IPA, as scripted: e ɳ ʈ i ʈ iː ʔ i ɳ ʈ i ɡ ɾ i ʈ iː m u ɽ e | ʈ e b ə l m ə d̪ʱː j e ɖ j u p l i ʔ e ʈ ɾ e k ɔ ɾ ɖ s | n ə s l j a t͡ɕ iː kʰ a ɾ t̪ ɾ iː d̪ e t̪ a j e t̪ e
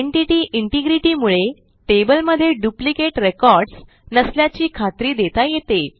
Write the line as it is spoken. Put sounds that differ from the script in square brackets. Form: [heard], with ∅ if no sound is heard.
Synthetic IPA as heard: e ɳ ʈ i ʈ iː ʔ i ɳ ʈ i ɡ ɾ i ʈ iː m u [ɭ] e | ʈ e b ə l m ə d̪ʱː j e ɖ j u p l i [k] e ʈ ɾ e k ɔ ɾ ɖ s | n ə s l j a t͡ɕ iː kʰ a [∅] t̪ ɾ iː d̪ e t̪ a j e t̪ e